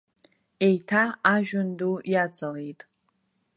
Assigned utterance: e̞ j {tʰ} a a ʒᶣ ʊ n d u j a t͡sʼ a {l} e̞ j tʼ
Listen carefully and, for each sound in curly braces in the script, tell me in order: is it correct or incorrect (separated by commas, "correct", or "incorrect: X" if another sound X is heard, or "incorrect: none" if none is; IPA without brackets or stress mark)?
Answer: correct, correct